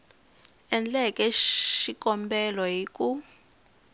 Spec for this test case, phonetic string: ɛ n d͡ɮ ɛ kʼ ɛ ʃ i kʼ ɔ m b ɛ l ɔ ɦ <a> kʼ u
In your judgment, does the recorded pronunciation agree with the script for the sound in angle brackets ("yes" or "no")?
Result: no